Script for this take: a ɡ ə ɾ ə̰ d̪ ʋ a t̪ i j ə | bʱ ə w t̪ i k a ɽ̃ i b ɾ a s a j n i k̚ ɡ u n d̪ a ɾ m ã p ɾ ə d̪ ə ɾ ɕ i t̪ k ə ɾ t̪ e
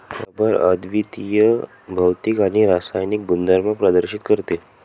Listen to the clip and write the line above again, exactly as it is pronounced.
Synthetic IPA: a b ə ɾ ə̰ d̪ ʋ i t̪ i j ə | bʱ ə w t̪ i k a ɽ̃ i ɾ a s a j n i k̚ b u n d̪ a ɾ m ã p ɾ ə d̪ ə ɾ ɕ i t̪ k ə ɾ t̪ e